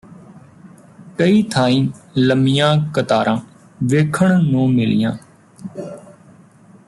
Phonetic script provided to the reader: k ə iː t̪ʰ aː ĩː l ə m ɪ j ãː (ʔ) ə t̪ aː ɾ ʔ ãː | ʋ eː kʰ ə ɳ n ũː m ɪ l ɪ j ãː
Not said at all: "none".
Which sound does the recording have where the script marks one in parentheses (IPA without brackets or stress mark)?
k